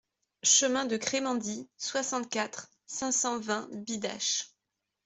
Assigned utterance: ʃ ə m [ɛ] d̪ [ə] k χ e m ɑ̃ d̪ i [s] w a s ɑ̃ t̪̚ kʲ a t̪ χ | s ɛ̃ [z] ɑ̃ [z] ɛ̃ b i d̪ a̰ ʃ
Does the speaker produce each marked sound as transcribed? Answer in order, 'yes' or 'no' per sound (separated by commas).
no, yes, yes, no, no